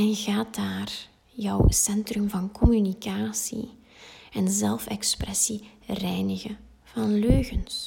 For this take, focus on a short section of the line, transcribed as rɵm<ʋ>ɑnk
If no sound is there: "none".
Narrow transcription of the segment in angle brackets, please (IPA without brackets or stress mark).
v